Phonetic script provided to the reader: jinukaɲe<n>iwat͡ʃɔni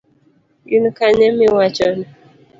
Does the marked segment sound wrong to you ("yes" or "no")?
yes